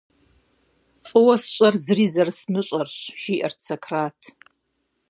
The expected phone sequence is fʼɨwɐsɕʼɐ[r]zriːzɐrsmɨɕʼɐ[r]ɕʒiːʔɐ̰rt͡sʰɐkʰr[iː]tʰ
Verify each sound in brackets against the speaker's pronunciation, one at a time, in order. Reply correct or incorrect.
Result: correct, correct, incorrect: aː

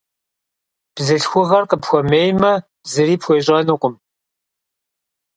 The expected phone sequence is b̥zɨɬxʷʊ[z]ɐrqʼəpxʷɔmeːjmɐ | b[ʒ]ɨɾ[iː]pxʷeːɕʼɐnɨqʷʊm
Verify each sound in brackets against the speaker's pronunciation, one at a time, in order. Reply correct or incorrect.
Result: incorrect: ʁ, incorrect: z, correct

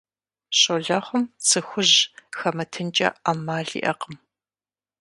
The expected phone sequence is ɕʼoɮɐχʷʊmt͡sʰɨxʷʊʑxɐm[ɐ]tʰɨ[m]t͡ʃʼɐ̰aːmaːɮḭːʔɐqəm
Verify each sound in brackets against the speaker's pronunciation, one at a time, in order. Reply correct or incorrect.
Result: correct, incorrect: n

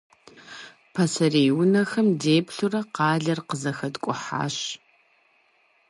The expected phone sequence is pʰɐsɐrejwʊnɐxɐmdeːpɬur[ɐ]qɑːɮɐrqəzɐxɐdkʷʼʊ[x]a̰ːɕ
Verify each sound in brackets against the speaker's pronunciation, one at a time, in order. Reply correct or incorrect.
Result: correct, incorrect: ħ

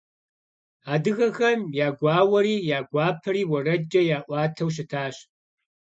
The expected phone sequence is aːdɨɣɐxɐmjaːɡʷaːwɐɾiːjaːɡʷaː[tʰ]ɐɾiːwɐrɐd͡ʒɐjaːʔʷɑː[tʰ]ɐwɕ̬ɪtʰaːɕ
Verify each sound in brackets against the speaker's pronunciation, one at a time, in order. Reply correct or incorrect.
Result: incorrect: pʰ, correct

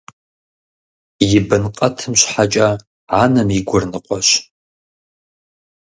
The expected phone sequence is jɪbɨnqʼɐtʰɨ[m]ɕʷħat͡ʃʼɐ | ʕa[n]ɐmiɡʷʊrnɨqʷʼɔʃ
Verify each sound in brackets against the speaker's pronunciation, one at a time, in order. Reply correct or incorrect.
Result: correct, correct

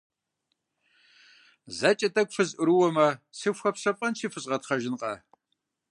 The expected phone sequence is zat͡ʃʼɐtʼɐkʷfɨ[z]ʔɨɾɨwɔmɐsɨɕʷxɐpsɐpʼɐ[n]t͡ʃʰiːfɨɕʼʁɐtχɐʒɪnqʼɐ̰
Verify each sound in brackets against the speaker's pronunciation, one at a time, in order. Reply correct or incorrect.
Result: correct, correct

